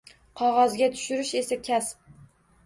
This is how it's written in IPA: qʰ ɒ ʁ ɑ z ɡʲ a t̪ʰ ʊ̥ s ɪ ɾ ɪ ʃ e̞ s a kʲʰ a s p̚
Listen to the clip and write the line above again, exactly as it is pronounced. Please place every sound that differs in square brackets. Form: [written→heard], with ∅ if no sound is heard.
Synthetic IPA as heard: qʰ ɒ ʁ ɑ z ɡʲ a t̪ʰ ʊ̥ [s→ʃ] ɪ ɾ ɪ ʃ e̞ s a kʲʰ a s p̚